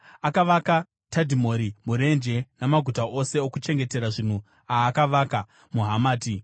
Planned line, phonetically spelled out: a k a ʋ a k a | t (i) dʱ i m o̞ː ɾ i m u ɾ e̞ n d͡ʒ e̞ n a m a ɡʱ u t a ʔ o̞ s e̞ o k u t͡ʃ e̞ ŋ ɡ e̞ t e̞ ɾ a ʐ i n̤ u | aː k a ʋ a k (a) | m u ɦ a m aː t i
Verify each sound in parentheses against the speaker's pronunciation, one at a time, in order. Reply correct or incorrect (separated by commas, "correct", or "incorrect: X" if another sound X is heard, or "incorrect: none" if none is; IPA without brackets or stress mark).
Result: incorrect: a, correct